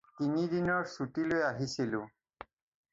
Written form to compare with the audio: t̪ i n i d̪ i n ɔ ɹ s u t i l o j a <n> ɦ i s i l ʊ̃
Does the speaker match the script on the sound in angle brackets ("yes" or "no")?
no